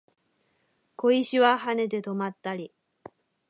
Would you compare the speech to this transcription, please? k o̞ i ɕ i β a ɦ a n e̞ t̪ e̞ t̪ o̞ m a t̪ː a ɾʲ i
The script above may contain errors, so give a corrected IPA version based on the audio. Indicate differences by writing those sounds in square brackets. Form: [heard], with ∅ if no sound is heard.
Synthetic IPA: k o̞ i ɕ i β a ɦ a n e̞ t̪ e̞ t̪ o̞ m a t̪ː a ɾʲ i